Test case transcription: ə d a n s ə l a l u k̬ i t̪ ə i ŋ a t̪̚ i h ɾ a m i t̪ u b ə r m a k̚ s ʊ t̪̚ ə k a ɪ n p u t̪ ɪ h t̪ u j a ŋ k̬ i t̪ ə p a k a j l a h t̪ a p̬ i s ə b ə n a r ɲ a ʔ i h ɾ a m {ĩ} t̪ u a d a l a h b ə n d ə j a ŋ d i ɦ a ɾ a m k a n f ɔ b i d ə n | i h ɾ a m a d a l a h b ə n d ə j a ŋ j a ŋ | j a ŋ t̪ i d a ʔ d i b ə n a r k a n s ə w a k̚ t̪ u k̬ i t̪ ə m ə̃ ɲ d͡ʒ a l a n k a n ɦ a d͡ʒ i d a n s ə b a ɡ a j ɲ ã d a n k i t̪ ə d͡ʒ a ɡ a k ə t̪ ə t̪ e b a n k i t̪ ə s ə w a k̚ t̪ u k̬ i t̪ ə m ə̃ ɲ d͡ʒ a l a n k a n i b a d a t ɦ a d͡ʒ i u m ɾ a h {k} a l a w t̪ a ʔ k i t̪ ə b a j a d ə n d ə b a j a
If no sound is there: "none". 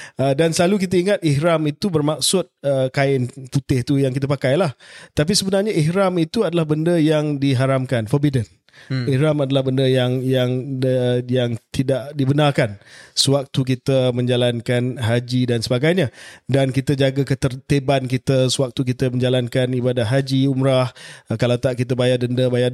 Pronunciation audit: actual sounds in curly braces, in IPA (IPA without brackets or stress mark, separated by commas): i, k